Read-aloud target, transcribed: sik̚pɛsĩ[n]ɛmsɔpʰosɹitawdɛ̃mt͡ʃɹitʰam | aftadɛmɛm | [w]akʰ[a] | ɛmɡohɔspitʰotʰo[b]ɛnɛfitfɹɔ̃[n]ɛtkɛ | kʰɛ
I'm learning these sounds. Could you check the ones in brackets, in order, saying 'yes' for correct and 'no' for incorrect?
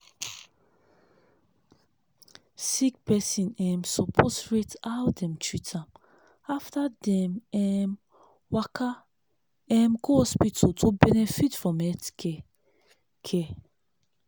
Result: yes, yes, yes, yes, no

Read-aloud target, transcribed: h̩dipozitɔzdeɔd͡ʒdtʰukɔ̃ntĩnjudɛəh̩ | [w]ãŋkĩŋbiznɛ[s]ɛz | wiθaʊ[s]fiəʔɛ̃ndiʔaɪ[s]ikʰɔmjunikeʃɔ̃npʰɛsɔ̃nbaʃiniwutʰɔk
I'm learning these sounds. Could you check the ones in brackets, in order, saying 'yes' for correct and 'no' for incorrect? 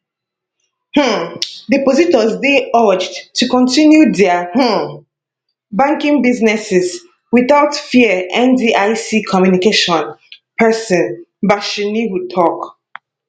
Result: no, yes, no, yes

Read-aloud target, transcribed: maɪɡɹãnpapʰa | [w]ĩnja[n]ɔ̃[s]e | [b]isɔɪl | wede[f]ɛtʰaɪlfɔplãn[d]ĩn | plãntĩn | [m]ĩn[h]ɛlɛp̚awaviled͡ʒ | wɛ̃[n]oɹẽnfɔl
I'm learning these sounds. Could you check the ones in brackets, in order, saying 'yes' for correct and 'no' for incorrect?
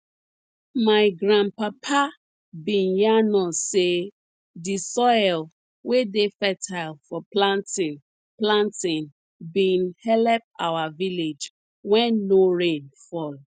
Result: no, yes, yes, no, yes, no, no, yes, no

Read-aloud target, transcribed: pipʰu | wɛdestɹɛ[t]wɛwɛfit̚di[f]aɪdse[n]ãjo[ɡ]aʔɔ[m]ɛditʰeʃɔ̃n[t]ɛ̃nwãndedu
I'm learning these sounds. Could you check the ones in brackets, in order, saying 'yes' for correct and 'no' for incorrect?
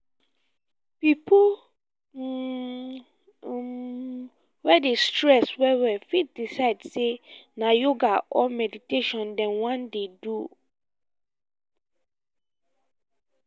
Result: no, no, yes, yes, yes, no

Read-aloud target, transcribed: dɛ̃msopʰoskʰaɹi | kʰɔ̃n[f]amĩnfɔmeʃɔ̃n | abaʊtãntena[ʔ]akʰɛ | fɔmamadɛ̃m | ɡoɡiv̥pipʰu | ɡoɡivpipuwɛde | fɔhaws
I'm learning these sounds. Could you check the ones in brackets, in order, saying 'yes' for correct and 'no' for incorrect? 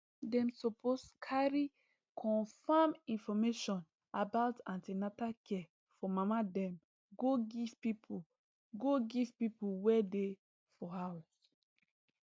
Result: yes, no

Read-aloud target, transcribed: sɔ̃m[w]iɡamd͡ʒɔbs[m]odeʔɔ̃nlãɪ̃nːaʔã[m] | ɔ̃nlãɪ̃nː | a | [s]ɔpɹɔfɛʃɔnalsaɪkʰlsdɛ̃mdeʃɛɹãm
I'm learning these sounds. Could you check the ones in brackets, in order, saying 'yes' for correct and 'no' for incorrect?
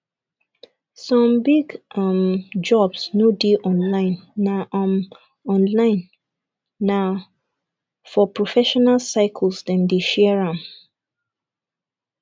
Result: no, no, yes, no

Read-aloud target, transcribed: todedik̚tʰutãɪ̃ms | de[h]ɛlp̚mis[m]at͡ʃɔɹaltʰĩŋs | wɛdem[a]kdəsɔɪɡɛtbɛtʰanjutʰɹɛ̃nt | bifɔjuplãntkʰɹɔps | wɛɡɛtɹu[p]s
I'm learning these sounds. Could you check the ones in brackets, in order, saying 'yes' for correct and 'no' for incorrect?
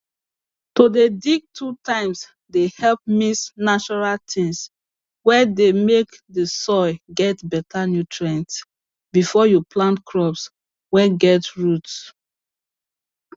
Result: yes, no, no, no

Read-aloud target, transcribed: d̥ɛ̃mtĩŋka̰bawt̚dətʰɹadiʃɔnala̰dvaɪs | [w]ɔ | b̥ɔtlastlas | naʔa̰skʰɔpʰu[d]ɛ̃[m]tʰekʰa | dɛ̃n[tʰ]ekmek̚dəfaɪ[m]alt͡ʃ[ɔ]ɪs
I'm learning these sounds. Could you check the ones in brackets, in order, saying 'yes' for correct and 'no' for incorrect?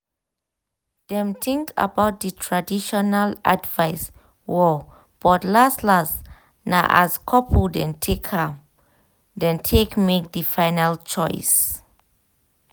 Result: yes, yes, no, yes, no, yes

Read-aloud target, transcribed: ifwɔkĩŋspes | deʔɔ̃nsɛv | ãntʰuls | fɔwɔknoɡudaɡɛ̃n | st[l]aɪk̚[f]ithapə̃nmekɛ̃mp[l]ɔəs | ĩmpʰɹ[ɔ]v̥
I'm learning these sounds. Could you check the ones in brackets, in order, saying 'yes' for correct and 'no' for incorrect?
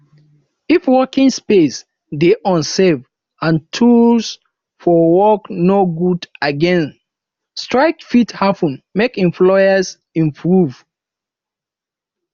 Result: no, yes, yes, no

